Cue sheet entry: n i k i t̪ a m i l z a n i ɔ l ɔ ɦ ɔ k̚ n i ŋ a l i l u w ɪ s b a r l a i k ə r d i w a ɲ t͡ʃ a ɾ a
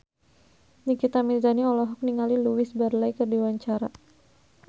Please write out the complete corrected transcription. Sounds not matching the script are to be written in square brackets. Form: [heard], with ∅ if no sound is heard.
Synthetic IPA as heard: n i k i t̪ a m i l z a n i ɔ l ɔ ɦ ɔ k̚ n i ŋ a l i l u w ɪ s b a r l a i k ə r d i w a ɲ t͡ʃ a ɾ a